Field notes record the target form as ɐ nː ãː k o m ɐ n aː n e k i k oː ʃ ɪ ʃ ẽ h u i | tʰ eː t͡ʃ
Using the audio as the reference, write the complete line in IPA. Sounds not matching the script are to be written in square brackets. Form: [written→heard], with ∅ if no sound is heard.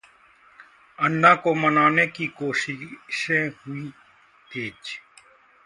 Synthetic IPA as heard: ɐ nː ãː k o m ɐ n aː n e k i k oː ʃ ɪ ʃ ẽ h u i | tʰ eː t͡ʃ